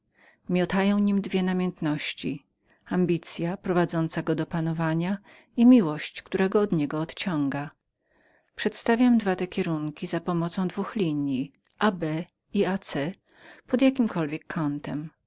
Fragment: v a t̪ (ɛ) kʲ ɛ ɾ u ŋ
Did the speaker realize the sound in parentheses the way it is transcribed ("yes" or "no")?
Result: yes